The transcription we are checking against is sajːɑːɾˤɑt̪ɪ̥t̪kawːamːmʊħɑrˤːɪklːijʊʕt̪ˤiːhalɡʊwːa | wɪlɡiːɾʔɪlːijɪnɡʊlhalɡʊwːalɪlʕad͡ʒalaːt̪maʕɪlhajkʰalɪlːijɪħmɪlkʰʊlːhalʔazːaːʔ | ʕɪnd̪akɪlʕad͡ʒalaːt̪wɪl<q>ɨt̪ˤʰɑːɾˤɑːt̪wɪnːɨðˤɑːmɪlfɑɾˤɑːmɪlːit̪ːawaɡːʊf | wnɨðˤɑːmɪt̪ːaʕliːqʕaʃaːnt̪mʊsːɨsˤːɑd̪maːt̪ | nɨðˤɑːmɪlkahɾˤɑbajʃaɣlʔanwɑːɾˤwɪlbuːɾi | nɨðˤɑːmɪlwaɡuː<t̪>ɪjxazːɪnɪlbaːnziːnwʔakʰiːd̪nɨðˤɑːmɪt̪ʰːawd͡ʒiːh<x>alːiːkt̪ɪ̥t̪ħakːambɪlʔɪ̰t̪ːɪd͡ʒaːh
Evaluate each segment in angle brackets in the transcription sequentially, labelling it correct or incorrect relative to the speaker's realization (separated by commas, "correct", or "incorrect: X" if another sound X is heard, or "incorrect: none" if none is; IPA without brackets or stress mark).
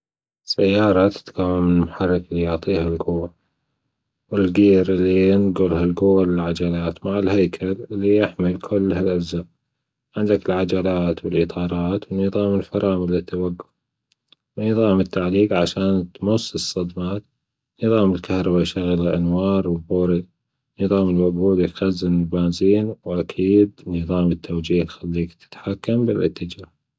incorrect: ʔ, incorrect: d̪, correct